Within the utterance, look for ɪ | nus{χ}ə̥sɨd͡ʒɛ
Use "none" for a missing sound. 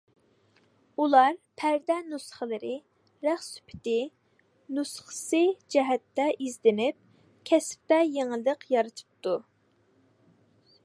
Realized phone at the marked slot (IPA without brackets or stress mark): χ